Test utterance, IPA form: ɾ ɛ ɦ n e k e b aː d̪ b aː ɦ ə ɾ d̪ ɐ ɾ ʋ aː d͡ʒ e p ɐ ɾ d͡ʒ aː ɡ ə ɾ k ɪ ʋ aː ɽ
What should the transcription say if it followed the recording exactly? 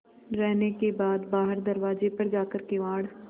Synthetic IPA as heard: ɾ ɛ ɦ n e k e b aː d̪ b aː ɦ ə ɾ d̪ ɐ ɾ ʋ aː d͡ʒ e p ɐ ɾ d͡ʒ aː k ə ɾ k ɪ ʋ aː ɽ